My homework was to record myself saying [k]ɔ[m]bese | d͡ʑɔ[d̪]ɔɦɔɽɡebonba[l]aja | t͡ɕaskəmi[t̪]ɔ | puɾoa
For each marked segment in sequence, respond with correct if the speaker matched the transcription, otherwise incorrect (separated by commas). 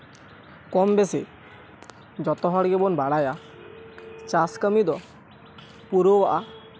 correct, correct, incorrect, incorrect, incorrect